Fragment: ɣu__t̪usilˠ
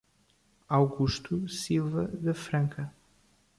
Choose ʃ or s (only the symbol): ʃ